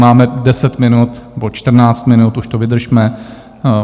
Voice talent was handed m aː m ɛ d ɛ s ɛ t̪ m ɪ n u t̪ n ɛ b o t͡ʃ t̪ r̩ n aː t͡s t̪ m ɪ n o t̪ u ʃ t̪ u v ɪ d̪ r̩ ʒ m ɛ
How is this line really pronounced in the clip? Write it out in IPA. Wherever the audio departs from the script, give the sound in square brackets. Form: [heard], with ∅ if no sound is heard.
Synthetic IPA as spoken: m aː m ɛ d ɛ s ɛ t̪ m ɪ n u t̪ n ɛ b o t͡ʃ t̪ r̩ n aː t͡s t̪ m ɪ n [u] t̪ u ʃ t̪ [o] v ɪ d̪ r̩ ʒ m ɛ